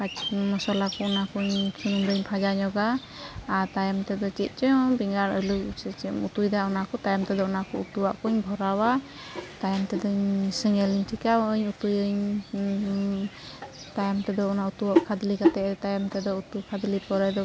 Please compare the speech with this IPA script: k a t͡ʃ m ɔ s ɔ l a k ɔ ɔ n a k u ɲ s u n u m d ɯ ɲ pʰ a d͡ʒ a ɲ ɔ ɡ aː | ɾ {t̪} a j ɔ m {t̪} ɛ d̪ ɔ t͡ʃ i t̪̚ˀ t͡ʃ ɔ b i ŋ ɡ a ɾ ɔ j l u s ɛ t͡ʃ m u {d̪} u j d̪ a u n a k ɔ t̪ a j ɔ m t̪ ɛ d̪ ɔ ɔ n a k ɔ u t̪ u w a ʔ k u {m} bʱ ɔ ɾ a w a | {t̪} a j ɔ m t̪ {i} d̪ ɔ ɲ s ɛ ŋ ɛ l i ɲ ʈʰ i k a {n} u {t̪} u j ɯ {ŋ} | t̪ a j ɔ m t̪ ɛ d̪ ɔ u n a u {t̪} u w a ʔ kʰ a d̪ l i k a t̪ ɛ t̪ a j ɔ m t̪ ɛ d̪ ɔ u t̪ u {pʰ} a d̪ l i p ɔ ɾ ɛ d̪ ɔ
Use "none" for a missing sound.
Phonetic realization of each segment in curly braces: t̪, t̪, t̪, ɲ, t̪, ɛ, ɲ, t̪, ɲ, t̪, kʰ

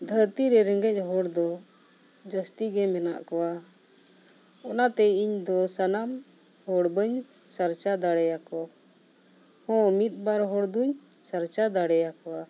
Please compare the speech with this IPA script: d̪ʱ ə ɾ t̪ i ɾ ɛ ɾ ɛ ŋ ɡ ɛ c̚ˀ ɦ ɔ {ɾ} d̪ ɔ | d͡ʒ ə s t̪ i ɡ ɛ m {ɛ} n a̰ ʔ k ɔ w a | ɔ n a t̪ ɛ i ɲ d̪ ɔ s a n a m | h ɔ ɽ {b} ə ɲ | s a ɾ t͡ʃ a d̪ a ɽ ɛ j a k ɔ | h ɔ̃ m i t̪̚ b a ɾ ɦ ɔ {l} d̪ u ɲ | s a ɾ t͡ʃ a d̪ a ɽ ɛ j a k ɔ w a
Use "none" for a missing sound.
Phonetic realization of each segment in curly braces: ɽ, ɛ, b, ɽ

